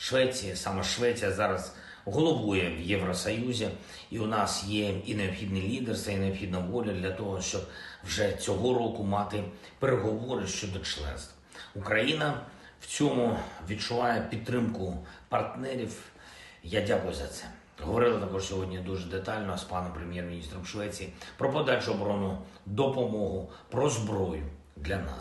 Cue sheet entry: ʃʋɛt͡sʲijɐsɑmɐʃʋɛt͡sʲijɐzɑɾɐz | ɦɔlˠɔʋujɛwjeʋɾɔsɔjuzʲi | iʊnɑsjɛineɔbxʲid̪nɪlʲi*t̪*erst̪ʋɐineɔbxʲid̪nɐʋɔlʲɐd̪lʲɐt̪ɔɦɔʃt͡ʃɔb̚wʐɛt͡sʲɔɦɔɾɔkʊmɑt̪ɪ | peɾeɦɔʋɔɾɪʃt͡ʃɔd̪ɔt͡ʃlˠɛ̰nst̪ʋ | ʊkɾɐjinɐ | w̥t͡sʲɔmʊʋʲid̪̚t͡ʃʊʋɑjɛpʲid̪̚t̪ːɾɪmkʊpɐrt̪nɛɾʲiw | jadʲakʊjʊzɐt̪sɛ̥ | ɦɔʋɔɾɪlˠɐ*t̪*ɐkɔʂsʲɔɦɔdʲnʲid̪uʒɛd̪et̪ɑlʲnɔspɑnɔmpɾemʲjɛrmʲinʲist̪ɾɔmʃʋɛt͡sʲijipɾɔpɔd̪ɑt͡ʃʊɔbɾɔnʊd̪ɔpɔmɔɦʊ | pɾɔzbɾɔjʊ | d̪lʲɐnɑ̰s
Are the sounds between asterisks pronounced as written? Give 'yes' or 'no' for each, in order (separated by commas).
no, yes